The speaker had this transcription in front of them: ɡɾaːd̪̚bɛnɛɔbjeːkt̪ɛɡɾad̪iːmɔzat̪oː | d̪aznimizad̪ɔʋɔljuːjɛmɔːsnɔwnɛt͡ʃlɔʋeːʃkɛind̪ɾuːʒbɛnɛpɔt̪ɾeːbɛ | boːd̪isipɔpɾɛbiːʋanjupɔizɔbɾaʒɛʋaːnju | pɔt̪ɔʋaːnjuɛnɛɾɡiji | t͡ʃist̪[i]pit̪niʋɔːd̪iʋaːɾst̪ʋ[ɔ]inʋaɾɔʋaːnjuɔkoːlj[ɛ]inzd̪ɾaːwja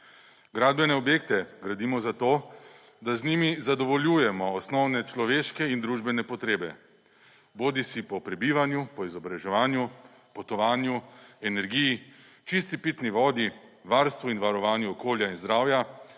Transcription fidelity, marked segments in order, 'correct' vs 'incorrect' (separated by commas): correct, incorrect, incorrect